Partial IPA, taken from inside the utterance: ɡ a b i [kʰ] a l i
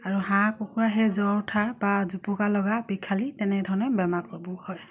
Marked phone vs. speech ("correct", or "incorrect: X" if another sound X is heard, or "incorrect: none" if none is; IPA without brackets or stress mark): correct